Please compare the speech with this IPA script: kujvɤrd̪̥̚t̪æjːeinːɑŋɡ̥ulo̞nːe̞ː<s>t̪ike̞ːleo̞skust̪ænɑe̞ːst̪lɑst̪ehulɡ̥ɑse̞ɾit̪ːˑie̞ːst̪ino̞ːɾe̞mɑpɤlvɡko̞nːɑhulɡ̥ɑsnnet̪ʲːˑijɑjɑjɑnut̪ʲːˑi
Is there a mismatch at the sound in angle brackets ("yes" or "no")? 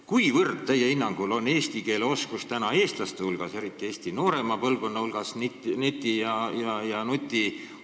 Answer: no